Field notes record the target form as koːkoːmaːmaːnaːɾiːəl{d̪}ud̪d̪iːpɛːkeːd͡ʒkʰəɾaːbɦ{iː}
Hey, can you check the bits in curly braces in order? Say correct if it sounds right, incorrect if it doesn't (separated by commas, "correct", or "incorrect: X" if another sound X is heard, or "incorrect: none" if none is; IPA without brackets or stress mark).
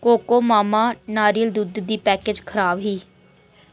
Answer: correct, correct